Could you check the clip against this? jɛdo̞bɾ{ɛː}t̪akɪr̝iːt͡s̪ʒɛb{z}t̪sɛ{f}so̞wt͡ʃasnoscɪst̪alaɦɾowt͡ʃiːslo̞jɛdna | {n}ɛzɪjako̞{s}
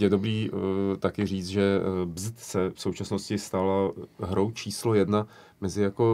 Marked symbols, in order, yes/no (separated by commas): no, yes, yes, no, no